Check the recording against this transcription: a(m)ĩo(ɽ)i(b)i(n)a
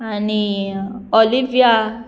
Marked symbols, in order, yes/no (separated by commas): no, no, no, no